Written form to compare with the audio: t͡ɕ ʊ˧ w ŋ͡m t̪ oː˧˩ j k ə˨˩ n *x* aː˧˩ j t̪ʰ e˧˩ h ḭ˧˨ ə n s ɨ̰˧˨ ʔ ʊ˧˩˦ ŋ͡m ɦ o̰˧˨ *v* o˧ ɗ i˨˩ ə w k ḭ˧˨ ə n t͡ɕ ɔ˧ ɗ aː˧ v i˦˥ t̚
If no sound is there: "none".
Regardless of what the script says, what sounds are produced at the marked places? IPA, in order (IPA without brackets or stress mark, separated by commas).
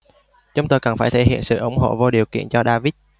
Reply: f, v